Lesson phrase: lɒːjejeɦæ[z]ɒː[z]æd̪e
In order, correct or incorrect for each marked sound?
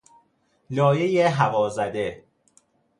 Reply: incorrect, correct

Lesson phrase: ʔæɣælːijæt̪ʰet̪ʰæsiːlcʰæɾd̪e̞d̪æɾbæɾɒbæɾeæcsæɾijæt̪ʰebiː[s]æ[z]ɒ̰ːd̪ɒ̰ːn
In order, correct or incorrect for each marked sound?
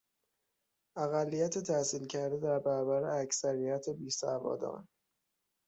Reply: correct, incorrect

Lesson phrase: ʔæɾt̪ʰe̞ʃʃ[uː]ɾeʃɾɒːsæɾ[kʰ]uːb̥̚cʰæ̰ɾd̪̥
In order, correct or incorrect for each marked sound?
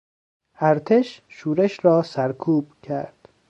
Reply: correct, correct

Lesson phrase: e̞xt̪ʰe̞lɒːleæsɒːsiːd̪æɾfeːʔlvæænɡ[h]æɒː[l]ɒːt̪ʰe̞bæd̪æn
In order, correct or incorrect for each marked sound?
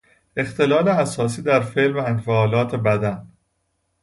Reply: incorrect, correct

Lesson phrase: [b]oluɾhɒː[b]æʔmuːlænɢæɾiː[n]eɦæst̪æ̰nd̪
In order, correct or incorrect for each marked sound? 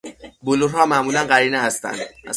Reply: correct, incorrect, correct

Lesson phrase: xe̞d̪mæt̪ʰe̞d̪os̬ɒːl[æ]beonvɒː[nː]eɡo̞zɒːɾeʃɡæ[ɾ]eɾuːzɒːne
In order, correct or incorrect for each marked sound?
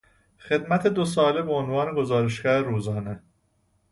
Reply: incorrect, incorrect, correct

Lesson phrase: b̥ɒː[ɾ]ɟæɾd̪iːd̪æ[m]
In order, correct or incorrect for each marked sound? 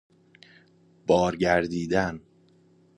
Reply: correct, incorrect

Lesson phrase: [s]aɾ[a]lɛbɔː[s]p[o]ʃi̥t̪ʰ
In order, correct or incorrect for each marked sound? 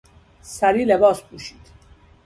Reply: correct, incorrect, correct, incorrect

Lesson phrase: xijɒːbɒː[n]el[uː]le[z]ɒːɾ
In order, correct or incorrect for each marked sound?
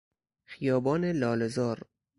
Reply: correct, incorrect, correct

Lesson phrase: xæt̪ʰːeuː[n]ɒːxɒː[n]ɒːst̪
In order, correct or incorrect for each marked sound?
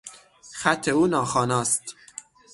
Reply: correct, correct

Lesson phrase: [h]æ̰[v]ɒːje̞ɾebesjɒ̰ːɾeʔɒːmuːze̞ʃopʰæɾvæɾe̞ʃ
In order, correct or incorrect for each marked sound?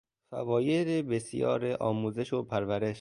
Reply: incorrect, correct

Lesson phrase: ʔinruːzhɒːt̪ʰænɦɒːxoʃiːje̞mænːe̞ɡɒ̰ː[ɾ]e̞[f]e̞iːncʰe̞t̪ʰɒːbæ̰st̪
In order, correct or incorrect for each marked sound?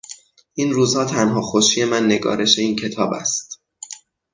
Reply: correct, incorrect

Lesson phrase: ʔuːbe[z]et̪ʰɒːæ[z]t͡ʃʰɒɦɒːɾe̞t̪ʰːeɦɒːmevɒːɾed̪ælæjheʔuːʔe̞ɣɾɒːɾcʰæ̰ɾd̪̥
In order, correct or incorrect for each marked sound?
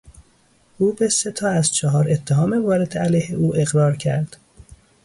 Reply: incorrect, correct

